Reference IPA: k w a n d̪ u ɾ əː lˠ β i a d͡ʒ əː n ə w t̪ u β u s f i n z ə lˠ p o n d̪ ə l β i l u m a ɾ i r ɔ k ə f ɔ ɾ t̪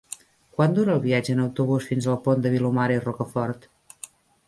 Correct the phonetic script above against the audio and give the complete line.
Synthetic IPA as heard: k w a n d̪ u ɾ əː lˠ β i a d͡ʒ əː n ə w t̪ u β u s f i n z ə lˠ p o n d̪ ə β i l u m a ɾ i r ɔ k ə f ɔ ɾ t̪